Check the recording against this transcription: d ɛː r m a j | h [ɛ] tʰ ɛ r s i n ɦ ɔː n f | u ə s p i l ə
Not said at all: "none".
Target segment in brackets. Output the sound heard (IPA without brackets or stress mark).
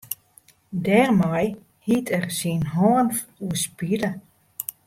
i